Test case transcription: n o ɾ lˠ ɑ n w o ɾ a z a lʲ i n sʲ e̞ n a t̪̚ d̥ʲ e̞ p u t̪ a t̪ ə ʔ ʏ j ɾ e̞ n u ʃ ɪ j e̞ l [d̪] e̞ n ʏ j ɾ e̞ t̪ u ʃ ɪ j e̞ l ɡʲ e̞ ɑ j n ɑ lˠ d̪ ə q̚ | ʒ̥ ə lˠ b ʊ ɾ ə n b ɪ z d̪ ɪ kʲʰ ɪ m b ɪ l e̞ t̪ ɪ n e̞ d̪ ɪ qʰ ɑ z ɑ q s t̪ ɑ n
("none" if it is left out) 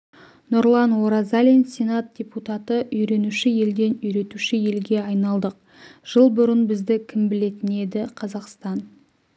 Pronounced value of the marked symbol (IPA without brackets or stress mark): d̪